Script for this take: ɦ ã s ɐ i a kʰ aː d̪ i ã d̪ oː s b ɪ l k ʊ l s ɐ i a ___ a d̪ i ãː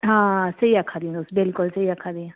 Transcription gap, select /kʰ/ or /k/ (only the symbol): kʰ